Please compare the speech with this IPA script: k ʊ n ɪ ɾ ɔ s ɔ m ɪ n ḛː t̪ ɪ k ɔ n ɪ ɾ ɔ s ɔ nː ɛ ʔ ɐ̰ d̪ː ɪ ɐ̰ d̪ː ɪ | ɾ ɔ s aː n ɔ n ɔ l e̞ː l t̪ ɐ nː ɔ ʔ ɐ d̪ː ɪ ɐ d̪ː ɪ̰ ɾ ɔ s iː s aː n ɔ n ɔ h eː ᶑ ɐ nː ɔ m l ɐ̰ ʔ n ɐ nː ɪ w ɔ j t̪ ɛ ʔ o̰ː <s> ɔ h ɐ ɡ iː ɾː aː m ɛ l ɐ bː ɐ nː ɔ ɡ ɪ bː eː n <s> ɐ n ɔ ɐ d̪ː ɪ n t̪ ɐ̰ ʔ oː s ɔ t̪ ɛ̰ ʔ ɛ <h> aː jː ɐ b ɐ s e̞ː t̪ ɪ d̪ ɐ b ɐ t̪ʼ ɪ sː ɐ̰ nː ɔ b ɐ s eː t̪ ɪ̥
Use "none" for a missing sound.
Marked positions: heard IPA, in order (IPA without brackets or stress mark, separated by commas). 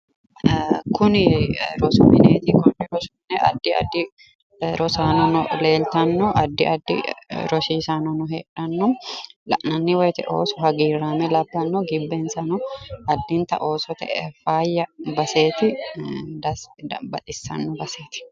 s, s, f